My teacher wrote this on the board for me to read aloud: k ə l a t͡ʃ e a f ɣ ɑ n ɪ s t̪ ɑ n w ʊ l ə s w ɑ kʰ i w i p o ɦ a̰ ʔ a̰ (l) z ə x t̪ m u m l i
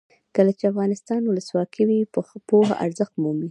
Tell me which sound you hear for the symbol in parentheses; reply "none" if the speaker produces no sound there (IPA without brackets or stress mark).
ɾ